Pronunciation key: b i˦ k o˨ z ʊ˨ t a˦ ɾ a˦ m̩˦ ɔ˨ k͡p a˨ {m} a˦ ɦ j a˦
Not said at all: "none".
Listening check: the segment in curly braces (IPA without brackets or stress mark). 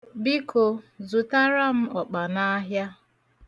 n